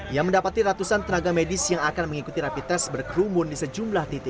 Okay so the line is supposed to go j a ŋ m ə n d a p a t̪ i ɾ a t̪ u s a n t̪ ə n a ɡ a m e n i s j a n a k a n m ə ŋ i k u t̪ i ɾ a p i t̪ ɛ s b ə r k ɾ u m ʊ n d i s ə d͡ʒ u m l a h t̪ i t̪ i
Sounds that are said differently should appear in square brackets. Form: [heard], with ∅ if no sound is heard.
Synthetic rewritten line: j a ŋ m ə n d a p a t̪ i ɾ a t̪ u s a n t̪ ə n a ɡ a m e [d] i s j a [ŋ] a k a n m ə ŋ i k u t̪ i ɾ a p i t̪ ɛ s b ə r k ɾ u m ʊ n d i s ə d͡ʒ u m l a h t̪ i t̪ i